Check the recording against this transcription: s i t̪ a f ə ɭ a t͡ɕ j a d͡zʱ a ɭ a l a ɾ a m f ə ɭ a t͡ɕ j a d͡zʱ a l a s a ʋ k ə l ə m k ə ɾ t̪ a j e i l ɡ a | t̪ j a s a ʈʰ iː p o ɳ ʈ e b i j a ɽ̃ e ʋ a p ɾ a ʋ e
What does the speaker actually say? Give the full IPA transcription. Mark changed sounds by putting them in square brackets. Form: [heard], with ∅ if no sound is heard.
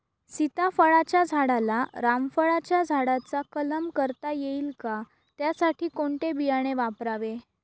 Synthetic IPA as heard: s i t̪ a f ə ɭ a t͡ɕ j a d͡zʱ a [ɽ] a l a ɾ a m f ə ɭ a t͡ɕ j a d͡zʱ a [ɽ] a [t͡s] a [∅] k ə l ə m k ə ɾ t̪ a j e i l [k] a | t̪ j a s a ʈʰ iː [k] o ɳ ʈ e b i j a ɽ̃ e ʋ a p ɾ a ʋ e